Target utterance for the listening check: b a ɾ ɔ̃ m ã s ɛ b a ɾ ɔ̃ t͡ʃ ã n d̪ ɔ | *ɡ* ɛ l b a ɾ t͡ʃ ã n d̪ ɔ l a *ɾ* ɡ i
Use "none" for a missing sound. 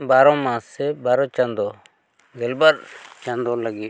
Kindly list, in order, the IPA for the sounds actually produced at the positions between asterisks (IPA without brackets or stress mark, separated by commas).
ɡ, none